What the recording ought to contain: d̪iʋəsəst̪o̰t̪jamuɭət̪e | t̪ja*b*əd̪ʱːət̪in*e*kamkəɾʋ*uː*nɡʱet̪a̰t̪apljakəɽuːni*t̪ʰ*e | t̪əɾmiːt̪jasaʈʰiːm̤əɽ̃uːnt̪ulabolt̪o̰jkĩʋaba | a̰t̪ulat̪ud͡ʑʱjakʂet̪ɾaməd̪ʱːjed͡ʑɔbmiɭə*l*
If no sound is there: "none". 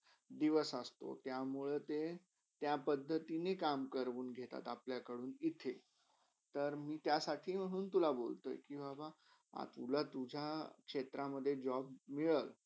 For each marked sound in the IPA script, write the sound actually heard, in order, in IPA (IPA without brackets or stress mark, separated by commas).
p, e, uː, t̪ʰ, l